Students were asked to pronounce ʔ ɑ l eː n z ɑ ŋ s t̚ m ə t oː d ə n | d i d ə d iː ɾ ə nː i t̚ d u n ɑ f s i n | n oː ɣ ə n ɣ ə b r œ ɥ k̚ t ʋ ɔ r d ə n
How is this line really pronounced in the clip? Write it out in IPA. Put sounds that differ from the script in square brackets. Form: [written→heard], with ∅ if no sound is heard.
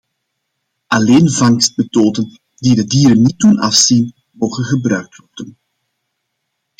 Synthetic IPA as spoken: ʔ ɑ l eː n [z→v] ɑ ŋ s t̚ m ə t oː d ə n | d i d ə d iː ɾ ə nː i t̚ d u n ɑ f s i n | [n→m] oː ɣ ə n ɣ ə b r œ ɥ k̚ t ʋ ɔ r d ə n